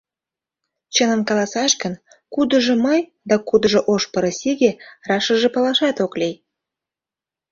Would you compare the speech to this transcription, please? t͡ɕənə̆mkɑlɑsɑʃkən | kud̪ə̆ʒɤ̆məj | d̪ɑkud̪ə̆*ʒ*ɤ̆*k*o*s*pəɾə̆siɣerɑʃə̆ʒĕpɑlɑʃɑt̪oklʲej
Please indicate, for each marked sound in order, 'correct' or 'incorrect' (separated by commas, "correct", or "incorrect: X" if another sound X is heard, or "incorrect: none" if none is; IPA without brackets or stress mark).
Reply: correct, incorrect: ʔ, incorrect: ʃ